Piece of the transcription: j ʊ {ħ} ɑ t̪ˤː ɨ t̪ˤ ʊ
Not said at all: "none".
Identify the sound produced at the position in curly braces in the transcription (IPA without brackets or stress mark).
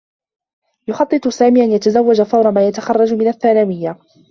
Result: x